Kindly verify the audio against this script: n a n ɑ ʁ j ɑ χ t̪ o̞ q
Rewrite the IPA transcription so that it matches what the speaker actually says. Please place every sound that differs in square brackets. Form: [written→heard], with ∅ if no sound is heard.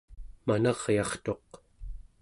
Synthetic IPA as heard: [n→m] a n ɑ ʁ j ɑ χ t̪ o̞ q